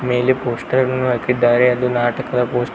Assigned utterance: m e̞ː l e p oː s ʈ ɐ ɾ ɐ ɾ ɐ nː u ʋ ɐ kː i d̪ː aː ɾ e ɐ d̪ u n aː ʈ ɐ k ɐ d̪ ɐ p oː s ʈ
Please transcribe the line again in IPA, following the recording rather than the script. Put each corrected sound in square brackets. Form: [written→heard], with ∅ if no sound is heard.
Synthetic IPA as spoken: m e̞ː l e p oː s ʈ ɐ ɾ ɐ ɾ ɐ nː u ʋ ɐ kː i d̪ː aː ɾ e ɐ d̪ u n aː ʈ ɐ k ɐ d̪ ɐ p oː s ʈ